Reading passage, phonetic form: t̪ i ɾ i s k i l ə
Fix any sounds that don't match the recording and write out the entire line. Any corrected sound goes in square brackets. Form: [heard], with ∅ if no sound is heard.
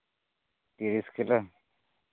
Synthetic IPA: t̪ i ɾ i s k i l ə